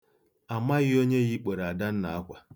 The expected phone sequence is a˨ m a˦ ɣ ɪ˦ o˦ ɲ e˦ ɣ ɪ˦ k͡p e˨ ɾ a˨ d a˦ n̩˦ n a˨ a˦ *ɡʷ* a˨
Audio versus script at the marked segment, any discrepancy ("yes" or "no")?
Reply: yes